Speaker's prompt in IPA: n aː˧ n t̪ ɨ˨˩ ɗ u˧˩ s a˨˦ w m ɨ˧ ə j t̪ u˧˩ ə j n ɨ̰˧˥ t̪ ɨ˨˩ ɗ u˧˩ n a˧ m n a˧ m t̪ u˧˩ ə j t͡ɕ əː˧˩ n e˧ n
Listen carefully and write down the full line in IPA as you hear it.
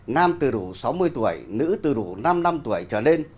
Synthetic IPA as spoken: n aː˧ m t̪ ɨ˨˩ ɗ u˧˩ s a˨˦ w m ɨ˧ ə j t̪ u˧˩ ə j n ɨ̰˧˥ t̪ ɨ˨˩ ɗ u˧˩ n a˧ m n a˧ m t̪ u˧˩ ə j t͡ɕ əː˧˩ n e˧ n